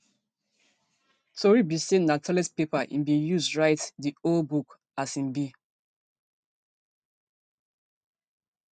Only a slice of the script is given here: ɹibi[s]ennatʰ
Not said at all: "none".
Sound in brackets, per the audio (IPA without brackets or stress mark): s